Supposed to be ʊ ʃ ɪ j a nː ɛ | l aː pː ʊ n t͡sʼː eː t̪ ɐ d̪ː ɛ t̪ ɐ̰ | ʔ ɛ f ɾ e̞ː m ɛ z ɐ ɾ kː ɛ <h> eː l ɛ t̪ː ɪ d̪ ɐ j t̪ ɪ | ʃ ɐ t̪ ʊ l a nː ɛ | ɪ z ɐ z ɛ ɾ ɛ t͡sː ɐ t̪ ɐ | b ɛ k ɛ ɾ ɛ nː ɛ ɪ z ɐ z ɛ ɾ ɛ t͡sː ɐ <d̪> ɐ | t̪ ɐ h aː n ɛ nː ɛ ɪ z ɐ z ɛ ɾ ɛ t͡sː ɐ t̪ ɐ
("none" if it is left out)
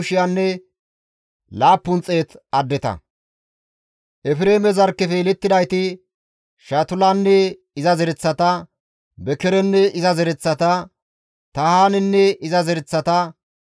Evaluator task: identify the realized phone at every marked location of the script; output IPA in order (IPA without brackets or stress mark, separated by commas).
f, t̪